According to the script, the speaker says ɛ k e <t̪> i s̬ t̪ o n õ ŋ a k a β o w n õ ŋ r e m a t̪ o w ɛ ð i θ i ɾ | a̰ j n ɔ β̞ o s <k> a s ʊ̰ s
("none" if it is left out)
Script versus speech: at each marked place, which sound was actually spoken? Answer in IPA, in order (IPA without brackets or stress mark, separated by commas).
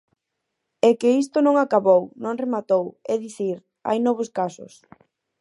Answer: none, k